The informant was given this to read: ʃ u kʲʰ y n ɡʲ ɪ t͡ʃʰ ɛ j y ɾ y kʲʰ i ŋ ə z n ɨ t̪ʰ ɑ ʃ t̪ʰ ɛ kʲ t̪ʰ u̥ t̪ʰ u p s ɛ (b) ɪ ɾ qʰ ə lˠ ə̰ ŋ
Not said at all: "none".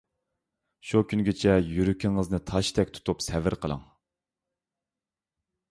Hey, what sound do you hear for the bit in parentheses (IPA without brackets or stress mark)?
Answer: v